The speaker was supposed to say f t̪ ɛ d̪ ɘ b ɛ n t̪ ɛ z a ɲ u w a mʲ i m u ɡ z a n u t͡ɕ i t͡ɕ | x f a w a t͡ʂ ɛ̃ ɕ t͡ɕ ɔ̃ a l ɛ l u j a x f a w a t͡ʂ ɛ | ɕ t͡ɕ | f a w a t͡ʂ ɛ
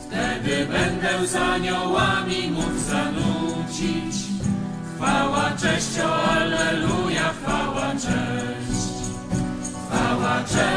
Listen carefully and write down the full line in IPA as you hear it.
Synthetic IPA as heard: f t̪ ɛ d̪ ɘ b ɛ n d̪ ɛ z a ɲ ɔ w a mʲ i m u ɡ z a n u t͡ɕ i t͡ɕ | x f a w a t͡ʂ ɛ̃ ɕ t͡ɕ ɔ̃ a l ɛ l u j a x f a w a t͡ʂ ɛ | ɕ t͡ɕ | f a w a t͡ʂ ɛ